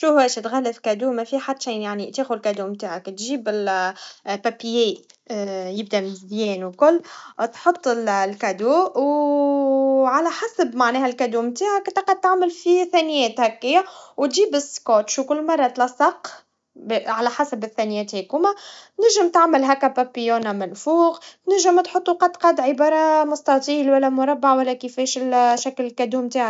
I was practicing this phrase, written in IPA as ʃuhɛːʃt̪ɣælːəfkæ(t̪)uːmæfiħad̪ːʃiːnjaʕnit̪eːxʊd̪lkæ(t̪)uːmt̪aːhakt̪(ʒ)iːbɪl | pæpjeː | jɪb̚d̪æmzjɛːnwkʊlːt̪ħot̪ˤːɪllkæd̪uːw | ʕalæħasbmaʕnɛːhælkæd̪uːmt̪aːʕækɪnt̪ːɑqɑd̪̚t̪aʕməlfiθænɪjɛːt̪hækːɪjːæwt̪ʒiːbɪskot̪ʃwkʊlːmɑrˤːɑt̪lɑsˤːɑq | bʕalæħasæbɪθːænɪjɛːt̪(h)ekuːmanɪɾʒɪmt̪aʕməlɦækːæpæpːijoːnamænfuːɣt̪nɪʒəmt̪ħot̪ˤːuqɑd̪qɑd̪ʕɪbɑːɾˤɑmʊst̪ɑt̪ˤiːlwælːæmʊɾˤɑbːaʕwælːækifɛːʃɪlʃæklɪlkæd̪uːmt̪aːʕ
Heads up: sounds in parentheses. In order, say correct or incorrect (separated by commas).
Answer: incorrect, incorrect, correct, correct